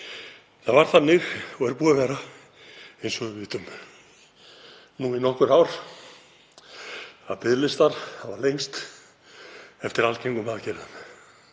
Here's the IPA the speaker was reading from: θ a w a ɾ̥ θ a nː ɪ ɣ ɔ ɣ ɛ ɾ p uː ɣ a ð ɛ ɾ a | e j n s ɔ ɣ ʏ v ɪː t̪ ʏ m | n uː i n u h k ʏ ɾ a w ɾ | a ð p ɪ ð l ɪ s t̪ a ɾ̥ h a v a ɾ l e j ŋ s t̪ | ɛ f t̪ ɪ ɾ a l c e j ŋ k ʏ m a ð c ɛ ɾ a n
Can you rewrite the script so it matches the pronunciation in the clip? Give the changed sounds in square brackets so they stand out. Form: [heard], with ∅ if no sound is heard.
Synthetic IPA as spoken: θ a [v] a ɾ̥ θ a nː ɪ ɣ ɔ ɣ ɛ ɾ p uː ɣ a [v] ɛ ɾ a | e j n s ɔ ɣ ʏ v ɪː t̪ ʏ m | n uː i n [ɔ] h k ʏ ɾ a w ɾ | a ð p ɪ ð l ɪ s t̪ a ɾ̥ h a v a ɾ l e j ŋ s t̪ | ɛ f t̪ ɪ ɾ a l c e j ŋ k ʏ m a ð c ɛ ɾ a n

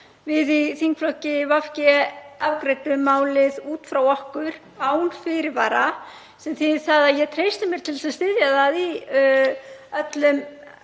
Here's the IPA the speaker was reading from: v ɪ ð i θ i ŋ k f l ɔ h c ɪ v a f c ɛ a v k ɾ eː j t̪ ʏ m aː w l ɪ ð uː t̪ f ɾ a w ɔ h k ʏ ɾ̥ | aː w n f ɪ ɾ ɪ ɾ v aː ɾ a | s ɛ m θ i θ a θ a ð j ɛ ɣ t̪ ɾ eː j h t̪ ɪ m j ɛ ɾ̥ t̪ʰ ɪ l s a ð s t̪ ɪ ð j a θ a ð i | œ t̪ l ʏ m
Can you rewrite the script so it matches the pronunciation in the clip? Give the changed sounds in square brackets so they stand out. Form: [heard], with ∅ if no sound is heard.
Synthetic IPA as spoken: v ɪ ð i θ i ŋ k f l ɔ h c ɪ v a f c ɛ a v k ɾ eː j t̪ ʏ m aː w l ɪ ð uː t̪ f ɾ a w ɔ h k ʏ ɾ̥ | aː w n f ɪ ɾ ɪ ɾ v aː ɾ a | s ɛ m θ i θ a [ð] a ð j ɛ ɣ [t̪ʰ] ɾ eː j [s] t̪ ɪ m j ɛ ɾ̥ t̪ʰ ɪ l s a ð s t̪ ɪ ð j a [ð] a ð i | œ t̪ l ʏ m

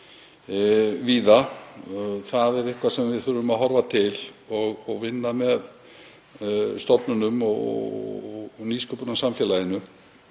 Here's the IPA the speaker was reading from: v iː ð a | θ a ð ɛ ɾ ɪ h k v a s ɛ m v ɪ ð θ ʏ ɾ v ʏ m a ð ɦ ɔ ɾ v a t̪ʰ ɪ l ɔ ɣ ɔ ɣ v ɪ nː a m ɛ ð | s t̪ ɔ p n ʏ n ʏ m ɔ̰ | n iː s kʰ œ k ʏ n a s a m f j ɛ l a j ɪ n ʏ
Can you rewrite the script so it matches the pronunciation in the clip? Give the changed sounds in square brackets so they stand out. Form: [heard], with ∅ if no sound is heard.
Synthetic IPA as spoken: v iː ð a | θ a ð ɛ ɾ ɪ h k v a s ɛ m v ɪ ð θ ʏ ɾ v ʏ m a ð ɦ ɔ ɾ v a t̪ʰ ɪ l ɔ ɣ ɔ ɣ v ɪ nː a m ɛ ð | s t̪ ɔ p n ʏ n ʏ m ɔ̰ | n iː s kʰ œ [p] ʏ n a s a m f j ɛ l a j ɪ n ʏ

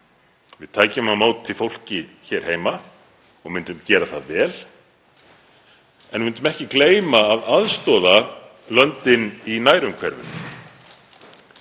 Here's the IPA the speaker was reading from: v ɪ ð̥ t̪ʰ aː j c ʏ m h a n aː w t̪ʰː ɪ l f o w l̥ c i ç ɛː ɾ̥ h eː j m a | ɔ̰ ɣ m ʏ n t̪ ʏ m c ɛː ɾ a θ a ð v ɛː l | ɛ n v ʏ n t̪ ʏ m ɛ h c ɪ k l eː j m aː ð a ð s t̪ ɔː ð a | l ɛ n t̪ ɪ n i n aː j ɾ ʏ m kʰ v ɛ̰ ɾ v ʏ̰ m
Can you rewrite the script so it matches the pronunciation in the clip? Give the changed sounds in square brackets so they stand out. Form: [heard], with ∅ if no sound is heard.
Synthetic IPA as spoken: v ɪ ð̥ t̪ʰ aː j c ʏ m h a [m] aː w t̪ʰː ɪ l f o w l̥ c [ɪ] ç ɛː ɾ̥ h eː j m a | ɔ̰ ɣ m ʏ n t̪ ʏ m c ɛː ɾ a θ a ð v ɛː l | ɛ n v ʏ n t̪ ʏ m ɛ h c ɪ k l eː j m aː ð a ð s t̪ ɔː ð a | l [œ] n t̪ ɪ n i n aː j ɾ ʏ m kʰ v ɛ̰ ɾ v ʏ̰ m

